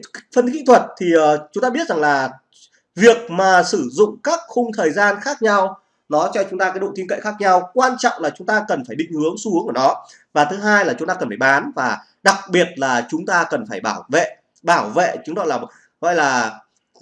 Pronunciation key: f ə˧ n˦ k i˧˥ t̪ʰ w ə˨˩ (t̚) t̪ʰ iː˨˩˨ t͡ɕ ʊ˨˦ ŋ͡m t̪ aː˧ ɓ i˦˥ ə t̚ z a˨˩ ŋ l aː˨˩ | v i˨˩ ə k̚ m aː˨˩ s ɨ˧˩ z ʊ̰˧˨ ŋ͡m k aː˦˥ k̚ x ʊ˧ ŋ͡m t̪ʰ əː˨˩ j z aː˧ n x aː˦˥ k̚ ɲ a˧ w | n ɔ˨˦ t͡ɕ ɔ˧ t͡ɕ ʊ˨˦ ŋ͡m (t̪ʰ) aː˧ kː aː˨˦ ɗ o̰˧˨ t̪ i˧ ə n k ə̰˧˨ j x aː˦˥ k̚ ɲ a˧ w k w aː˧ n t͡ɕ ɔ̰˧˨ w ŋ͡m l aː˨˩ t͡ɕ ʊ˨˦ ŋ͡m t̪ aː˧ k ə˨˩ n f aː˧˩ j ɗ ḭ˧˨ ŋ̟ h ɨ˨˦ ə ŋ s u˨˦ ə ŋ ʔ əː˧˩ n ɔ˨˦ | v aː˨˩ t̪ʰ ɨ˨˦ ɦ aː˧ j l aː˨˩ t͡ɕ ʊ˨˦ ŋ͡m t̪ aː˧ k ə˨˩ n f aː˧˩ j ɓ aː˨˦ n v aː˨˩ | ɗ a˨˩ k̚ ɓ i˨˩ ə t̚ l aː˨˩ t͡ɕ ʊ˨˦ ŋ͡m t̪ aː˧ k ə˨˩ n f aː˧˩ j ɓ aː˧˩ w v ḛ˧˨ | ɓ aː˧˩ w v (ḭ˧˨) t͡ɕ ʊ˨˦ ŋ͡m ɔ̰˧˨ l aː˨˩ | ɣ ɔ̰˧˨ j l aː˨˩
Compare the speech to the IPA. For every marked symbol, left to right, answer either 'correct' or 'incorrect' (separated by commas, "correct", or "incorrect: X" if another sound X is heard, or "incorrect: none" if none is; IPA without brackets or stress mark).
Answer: correct, incorrect: t̪, incorrect: ḛ˧˨